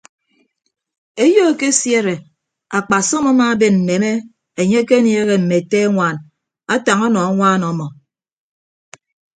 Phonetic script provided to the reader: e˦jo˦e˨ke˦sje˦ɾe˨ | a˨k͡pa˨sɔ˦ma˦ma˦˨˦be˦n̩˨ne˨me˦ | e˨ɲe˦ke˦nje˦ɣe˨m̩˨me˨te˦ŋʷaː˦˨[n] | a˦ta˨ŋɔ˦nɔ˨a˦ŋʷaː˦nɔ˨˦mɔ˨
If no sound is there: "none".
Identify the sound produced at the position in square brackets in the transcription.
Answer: n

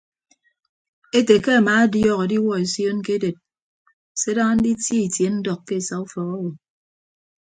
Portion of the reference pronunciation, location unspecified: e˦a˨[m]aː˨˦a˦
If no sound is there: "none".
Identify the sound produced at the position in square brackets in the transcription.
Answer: m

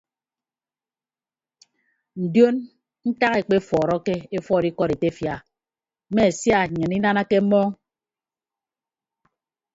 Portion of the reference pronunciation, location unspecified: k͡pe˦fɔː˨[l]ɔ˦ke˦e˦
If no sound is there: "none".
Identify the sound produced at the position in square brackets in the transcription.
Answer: ɾ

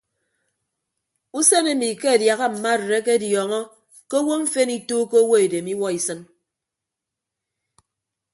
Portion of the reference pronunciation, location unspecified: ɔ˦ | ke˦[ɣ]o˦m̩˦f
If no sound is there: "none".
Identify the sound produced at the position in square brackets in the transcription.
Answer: w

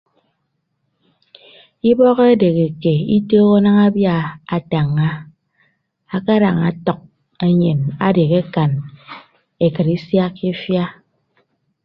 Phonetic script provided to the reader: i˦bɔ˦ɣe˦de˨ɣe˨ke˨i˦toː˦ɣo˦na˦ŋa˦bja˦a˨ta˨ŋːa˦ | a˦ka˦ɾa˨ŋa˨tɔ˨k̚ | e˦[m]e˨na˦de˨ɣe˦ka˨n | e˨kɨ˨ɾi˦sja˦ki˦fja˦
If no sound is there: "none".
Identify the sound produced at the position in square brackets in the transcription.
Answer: ɲ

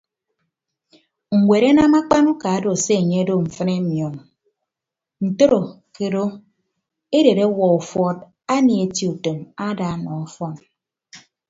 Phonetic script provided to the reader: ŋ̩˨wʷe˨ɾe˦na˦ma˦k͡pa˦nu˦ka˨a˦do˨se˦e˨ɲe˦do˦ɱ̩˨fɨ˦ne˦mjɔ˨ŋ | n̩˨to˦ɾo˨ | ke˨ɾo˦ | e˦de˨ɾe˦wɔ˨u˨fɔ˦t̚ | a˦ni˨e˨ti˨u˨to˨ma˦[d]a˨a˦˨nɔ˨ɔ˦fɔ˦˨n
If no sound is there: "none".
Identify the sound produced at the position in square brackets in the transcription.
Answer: d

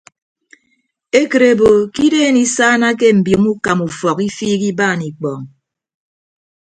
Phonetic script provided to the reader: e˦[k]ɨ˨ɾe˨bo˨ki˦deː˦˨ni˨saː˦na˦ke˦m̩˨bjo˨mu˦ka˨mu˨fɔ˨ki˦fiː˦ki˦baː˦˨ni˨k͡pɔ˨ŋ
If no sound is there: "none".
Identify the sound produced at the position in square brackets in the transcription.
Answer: k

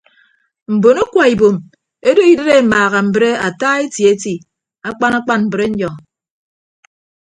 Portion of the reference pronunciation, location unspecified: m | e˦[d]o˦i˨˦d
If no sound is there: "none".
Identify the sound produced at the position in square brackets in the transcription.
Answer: d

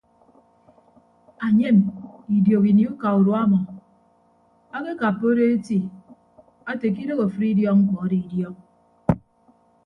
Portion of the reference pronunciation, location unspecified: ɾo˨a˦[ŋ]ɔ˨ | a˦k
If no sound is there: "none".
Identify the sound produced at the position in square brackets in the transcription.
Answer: m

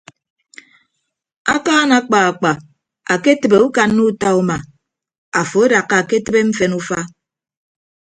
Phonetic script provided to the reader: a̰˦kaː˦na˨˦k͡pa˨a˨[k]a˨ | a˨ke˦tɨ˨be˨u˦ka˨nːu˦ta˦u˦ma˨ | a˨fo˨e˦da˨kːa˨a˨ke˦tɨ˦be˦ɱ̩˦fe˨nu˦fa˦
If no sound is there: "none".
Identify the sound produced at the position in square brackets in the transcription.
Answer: k͡p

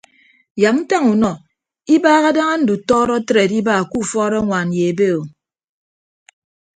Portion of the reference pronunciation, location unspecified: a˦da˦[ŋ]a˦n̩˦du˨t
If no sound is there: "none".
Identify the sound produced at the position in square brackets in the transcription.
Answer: ŋ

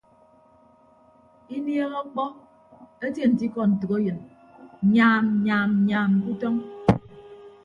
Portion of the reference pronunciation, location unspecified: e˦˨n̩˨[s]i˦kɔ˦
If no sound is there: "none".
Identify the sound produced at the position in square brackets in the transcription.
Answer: t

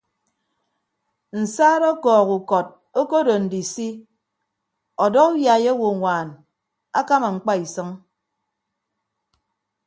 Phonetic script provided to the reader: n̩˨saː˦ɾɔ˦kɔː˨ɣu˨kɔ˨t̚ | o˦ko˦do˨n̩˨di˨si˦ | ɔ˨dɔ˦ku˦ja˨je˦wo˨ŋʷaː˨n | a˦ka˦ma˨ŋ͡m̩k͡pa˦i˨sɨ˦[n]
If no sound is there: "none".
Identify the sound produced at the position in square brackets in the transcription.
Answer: ŋ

